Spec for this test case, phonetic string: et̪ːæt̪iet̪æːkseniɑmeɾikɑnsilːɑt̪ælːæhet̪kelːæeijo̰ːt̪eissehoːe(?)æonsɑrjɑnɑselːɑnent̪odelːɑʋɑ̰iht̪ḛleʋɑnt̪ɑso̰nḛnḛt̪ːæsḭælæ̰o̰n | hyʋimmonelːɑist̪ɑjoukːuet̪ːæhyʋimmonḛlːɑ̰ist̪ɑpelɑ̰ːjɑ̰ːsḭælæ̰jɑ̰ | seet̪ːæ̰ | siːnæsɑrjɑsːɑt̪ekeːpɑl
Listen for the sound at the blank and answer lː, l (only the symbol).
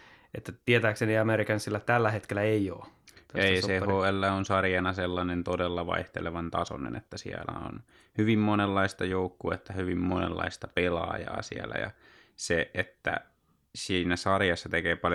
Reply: lː